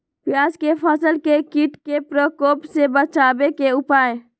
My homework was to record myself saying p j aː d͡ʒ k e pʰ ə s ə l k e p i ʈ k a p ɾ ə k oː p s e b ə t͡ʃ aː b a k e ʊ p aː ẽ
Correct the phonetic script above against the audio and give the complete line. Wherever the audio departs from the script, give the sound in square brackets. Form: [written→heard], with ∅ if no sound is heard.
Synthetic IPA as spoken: p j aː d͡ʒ k e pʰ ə s ə l k e [p→k] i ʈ k [a→e] p ɾ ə k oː p s e b ə t͡ʃ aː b [a→e] k e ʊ p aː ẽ